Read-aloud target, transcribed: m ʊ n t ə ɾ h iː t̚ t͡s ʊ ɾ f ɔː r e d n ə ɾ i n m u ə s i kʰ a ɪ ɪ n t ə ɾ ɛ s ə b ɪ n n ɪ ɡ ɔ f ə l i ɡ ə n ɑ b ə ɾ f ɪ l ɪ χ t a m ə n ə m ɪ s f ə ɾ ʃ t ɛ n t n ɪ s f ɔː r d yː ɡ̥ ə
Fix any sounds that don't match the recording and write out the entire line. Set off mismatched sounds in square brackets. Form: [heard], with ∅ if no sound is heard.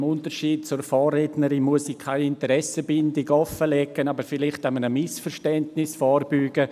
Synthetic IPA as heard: m ʊ n t ə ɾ [ʃ] iː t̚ t͡s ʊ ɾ f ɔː r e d n ə ɾ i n m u ə s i kʰ a ɪ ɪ n t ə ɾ ɛ s ə b ɪ n [d] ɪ ɡ ɔ f ə l [ɛ] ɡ ə n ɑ b ə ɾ f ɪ l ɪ χ t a m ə n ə m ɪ s f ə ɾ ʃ t ɛ n t n ɪ s f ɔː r [b] yː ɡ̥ ə